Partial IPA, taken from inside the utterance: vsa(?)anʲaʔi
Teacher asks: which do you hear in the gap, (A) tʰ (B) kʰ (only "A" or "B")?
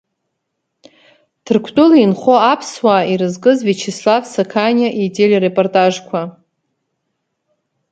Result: B